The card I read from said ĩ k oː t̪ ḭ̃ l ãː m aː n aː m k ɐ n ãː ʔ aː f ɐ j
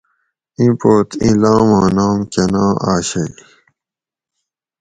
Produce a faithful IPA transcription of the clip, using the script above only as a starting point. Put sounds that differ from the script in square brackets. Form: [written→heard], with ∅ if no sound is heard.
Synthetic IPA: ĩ [k→p] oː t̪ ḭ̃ l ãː m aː n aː m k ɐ n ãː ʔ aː [f→ɕ] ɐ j